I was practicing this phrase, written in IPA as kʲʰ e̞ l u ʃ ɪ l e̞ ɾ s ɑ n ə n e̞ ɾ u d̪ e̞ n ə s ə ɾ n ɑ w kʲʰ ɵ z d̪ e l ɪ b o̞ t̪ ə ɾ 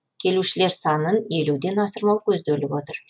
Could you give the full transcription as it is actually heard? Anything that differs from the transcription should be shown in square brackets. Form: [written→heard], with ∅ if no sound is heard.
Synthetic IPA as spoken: kʲʰ e̞ l u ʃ ɪ l e̞ ɾ s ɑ n ə n e̞ [ɾ→l] u d̪ e̞ n [ə→ɑ] s ə ɾ [n→m] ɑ w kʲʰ ɵ z d̪ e l ɪ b o̞ t̪ ə ɾ